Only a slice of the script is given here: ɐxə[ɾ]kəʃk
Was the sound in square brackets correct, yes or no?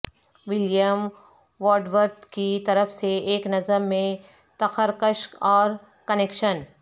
yes